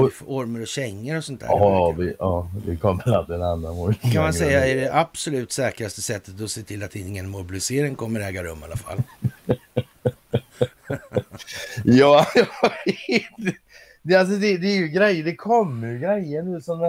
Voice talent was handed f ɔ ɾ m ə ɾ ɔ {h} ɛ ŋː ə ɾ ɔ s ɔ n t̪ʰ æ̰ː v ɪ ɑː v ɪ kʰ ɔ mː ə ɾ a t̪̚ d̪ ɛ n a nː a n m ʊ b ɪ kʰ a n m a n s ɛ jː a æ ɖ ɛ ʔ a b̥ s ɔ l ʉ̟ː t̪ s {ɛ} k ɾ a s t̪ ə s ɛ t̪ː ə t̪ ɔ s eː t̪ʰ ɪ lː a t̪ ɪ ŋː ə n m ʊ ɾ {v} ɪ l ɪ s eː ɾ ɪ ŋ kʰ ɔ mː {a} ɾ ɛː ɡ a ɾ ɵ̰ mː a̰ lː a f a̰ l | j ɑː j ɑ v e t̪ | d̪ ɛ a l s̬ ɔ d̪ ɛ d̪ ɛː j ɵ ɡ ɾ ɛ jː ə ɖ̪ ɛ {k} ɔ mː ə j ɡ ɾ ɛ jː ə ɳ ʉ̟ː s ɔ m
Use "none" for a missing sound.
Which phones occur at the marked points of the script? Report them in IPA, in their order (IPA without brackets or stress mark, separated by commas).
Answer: ɕ, ɛː, b, ə, kʰ